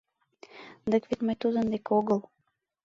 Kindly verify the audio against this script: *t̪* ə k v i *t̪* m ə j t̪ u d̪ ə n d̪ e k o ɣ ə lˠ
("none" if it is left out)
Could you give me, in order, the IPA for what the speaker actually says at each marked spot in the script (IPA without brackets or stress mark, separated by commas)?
d̪, t̪